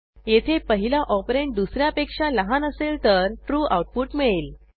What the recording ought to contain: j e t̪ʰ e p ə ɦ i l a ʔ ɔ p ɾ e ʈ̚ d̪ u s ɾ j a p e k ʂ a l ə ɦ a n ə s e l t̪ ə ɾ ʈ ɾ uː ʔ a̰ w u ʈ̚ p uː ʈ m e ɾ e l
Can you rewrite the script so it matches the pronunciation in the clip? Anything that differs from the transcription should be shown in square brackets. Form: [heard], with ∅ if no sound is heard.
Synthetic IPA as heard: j e t̪ʰ e p ə ɦ i l a ʔ ɔ p ɾ e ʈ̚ d̪ u s ɾ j a p e k ʂ a l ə ɦ a n ə s e l t̪ ə ɾ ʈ ɾ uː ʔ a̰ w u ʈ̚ p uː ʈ m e [ɭ] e l